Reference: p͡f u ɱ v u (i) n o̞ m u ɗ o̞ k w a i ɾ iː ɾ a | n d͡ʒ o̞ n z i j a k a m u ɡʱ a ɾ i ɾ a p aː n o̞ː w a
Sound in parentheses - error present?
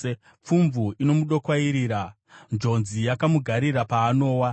no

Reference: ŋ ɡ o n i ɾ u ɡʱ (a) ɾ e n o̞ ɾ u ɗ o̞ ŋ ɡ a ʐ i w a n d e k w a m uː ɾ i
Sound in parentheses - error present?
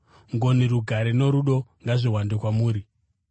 no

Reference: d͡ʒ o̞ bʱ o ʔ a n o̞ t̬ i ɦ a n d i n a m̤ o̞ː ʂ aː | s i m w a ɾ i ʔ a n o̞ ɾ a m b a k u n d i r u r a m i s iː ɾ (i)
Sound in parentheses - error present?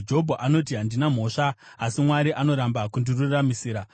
yes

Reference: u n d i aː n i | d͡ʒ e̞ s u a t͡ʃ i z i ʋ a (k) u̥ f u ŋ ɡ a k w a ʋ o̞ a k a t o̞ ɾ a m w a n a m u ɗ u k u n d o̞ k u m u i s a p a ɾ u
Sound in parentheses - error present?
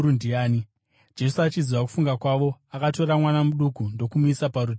no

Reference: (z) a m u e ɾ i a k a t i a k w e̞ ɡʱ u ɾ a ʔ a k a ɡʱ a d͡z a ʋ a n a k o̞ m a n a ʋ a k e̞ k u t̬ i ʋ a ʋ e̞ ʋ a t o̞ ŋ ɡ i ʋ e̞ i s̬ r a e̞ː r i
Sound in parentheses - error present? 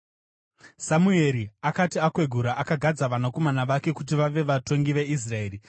yes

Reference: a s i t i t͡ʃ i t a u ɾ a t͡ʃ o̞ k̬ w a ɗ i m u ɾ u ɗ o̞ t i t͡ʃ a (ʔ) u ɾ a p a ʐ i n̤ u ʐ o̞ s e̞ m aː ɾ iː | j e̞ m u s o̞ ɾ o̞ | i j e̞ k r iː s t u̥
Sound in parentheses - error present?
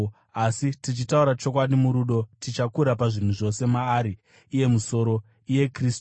yes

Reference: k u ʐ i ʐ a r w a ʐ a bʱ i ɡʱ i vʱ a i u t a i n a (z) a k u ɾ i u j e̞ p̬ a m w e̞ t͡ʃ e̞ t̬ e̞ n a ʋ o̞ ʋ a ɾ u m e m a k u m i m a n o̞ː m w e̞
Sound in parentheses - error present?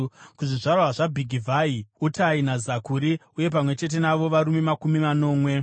no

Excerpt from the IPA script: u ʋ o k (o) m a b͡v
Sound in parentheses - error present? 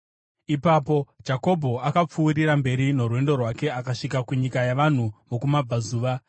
yes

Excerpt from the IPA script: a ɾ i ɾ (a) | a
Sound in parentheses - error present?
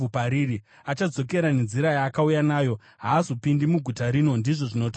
yes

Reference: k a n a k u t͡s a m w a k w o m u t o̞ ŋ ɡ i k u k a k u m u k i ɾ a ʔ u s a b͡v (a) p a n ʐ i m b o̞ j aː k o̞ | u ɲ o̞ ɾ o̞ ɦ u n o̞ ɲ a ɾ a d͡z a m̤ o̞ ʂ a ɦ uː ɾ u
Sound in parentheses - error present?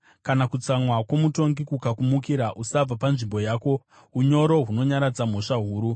no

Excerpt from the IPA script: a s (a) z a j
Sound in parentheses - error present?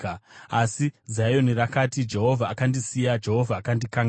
yes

